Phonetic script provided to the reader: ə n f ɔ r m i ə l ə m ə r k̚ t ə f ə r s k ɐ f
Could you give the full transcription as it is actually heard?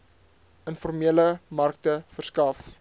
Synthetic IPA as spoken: ə n f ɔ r m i ə l ə m ɐ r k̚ t ə f ə r s k ɐ f